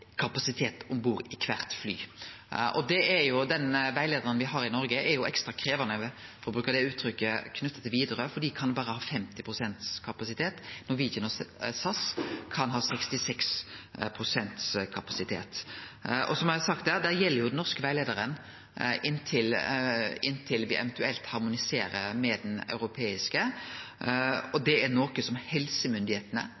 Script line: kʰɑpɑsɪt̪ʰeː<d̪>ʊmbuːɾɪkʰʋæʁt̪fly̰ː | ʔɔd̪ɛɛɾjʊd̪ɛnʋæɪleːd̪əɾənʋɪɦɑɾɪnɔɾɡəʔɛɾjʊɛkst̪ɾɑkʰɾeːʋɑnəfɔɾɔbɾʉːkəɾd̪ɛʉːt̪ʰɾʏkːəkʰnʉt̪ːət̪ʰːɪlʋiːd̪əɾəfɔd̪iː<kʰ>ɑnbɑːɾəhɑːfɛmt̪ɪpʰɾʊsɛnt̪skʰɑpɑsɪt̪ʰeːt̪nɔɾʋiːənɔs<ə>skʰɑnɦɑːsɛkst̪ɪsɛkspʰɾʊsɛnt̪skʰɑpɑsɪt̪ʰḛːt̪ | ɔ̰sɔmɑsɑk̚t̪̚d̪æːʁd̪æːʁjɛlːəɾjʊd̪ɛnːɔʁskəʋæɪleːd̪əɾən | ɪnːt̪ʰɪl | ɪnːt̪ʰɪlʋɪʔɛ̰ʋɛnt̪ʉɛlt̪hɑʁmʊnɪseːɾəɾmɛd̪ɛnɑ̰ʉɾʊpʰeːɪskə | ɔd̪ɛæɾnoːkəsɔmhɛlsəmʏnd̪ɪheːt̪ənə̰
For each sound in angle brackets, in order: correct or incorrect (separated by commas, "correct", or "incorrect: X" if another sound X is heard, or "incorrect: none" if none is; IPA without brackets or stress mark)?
incorrect: t̪, correct, incorrect: ɑ